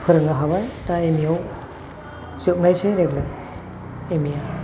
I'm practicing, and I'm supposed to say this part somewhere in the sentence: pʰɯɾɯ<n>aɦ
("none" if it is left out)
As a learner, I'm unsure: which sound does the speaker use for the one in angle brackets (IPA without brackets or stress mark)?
ŋ